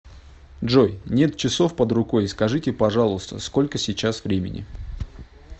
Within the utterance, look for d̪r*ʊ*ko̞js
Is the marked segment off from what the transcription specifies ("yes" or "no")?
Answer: no